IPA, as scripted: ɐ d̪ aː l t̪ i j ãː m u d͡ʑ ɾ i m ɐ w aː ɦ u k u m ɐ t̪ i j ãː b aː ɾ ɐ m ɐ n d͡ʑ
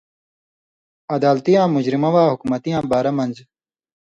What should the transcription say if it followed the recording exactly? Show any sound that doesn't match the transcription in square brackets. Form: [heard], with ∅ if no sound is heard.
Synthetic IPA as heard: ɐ d̪ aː l t̪ i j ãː m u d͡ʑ ɾ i m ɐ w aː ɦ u k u m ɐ t̪ i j ãː b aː ɾ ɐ m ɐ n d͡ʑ